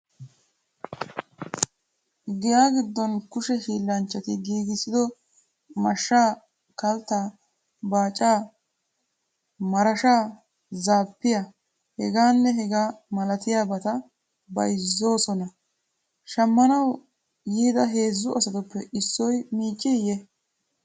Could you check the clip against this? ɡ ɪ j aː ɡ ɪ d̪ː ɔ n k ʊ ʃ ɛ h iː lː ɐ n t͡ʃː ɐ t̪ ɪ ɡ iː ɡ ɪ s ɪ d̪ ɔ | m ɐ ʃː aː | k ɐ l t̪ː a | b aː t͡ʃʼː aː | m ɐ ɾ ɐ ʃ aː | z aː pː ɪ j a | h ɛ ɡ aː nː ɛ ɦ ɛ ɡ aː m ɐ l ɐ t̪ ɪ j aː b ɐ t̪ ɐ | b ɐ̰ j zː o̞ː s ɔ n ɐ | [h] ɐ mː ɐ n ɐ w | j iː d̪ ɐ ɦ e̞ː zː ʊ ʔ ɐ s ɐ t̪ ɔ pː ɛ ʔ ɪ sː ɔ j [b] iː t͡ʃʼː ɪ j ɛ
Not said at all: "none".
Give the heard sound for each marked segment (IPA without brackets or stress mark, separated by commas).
ʃ, m